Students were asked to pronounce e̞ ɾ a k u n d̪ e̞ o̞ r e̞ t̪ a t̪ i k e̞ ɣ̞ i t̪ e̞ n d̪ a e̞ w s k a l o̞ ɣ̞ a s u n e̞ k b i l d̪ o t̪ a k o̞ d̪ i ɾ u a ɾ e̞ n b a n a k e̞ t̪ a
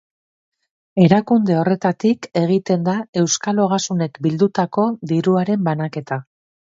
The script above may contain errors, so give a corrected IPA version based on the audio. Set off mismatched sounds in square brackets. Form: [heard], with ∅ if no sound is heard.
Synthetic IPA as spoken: e̞ ɾ a k u n d̪ e̞ o̞ r e̞ t̪ a t̪ i k e̞ ɣ̞ i t̪ e̞ n d̪ a e̞ w s k a l o̞ ɣ̞ a s u n e̞ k b i l d̪ [u] t̪ a k o̞ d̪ i ɾ u a ɾ e̞ [m] b a n a k e̞ t̪ a